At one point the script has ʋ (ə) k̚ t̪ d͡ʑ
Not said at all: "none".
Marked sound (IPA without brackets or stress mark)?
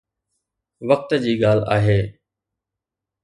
ə